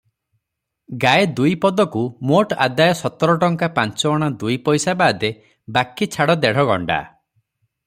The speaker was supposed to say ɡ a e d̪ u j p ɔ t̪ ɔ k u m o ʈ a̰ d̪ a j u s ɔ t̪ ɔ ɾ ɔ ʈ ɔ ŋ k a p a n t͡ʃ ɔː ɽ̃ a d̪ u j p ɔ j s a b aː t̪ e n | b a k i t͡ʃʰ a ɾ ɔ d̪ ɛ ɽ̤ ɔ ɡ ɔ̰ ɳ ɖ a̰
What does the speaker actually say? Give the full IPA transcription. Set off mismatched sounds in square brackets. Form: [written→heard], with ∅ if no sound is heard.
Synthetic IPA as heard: ɡ a e d̪ u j p ɔ [t̪→d̪] ɔ k u m o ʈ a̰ d̪ a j [u→ɔ] s ɔ t̪ ɔ ɾ ɔ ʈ ɔ ŋ k a p a n t͡ʃ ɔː ɽ̃ a d̪ u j p ɔ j s a b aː [t̪→d̪] e [n→∅] | b a k i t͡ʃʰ a [ɾ→ɽ] ɔ d̪ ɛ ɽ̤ ɔ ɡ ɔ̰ ɳ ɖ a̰